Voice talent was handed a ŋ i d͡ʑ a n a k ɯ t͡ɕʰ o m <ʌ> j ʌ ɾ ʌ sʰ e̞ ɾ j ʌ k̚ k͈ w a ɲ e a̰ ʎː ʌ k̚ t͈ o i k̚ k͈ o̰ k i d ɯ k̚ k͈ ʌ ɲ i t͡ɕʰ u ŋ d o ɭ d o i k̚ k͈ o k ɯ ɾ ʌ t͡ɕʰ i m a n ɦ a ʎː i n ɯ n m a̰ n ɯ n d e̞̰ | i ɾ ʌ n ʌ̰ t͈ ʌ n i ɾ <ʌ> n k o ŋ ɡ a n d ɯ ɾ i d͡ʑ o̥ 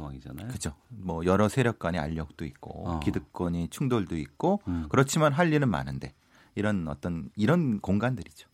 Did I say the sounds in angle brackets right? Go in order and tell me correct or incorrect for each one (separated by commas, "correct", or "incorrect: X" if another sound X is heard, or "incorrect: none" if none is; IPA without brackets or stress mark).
correct, correct